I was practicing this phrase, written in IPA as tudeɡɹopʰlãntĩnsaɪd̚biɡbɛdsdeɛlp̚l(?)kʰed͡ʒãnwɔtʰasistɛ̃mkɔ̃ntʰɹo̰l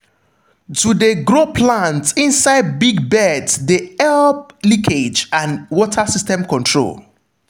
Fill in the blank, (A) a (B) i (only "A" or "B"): B